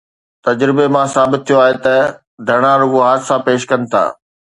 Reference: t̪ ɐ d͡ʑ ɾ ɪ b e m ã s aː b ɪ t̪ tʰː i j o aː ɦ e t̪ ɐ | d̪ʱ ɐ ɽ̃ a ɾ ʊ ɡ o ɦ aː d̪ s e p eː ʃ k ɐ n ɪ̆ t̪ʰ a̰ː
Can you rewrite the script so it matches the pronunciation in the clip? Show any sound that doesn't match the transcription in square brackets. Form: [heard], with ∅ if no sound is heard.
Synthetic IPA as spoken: t̪ ɐ d͡ʑ ɾ ɪ b e m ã s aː b ɪ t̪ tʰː i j o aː ɦ e t̪ ɐ | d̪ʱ ɐ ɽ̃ a ɾ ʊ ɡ o ɦ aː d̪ s [a] p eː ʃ k ɐ n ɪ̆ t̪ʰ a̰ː